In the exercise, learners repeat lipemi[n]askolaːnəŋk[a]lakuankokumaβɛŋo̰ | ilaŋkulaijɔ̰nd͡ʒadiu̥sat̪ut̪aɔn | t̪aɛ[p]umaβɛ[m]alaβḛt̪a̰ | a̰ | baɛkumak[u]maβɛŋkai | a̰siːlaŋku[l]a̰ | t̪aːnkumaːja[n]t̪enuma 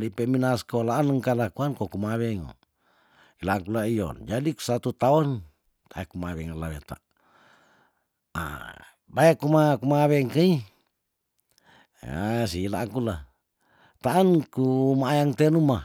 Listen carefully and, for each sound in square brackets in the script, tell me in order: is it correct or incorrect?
correct, correct, incorrect, incorrect, correct, correct, incorrect

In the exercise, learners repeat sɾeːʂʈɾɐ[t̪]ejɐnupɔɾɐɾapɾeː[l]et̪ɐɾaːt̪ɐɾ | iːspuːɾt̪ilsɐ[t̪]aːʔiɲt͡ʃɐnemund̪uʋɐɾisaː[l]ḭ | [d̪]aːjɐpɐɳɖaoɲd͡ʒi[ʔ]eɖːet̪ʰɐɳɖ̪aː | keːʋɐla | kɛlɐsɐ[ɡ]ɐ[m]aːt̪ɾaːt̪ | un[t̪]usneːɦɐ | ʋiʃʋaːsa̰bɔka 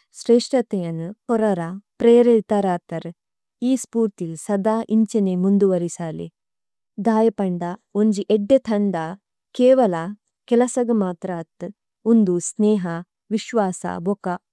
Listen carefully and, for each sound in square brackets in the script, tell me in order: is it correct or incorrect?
correct, incorrect, incorrect, correct, correct, correct, correct, correct, incorrect

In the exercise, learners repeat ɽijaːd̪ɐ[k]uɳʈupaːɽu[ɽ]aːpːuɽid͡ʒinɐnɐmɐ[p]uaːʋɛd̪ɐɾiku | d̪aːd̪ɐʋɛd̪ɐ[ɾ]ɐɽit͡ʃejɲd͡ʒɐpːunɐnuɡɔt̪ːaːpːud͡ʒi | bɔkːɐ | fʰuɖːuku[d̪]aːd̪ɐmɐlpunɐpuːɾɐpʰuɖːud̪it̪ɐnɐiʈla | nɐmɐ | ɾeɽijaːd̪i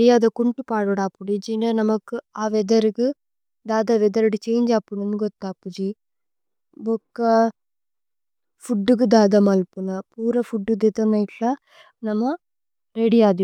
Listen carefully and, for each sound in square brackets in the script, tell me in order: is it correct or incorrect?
correct, correct, incorrect, correct, correct

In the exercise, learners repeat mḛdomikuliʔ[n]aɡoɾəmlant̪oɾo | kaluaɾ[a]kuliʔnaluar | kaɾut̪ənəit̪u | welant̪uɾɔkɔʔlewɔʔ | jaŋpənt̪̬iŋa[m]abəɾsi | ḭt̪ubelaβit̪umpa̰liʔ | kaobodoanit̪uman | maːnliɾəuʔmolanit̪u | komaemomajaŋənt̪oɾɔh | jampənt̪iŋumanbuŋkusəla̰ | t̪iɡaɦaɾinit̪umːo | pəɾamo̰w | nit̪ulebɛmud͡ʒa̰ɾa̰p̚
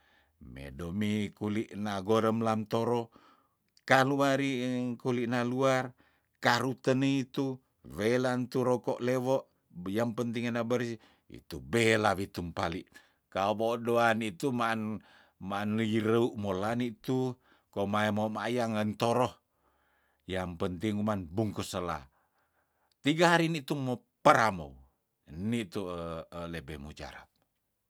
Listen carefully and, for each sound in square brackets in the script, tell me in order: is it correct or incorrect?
correct, incorrect, incorrect

